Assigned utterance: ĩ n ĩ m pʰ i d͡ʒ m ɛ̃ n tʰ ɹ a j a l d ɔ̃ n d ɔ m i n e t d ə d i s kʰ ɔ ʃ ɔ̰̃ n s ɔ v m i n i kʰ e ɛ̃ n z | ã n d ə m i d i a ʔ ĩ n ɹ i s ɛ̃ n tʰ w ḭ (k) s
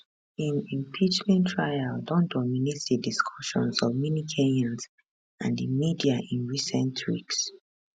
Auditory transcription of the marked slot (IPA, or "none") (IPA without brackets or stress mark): k